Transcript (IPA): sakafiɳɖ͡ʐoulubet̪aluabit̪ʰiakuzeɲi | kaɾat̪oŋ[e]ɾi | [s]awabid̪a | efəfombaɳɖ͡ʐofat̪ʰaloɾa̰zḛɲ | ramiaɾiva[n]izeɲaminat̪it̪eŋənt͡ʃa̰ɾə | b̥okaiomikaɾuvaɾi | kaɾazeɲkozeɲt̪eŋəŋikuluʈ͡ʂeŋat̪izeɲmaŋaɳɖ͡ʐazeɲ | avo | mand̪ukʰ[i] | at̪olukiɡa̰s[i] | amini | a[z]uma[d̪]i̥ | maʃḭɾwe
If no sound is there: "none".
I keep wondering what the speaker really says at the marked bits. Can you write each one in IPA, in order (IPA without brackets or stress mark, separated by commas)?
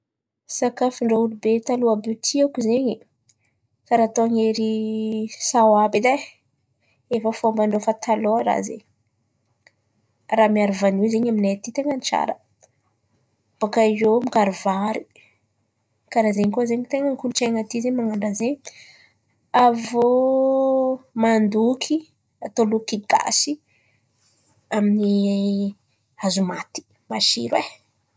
e, s, n, i, i, z, t̪